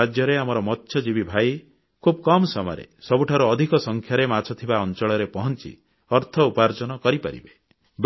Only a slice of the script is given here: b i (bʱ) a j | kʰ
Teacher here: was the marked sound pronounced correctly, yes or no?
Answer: yes